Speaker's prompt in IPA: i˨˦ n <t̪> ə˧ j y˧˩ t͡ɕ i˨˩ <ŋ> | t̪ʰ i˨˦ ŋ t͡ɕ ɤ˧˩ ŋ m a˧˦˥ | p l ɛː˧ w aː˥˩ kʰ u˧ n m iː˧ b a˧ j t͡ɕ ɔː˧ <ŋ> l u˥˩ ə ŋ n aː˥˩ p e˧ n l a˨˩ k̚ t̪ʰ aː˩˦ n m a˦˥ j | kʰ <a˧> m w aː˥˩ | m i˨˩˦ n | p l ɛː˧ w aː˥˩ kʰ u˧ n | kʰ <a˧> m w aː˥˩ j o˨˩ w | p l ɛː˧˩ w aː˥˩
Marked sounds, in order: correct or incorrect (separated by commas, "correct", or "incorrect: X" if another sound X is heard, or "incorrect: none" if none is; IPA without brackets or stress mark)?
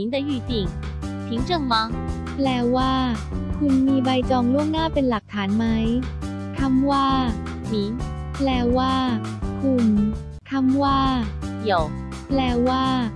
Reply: incorrect: d̪, correct, correct, incorrect: a˥˩, incorrect: a˥˩